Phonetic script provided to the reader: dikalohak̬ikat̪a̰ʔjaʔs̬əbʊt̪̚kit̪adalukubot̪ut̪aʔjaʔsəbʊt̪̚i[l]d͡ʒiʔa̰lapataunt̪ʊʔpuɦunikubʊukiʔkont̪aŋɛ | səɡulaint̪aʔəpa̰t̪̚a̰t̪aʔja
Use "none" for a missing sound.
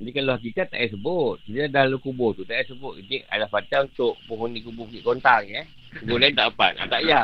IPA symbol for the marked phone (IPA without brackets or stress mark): none